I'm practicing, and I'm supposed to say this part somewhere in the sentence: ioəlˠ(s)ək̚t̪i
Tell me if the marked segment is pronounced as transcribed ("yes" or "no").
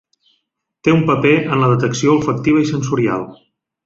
no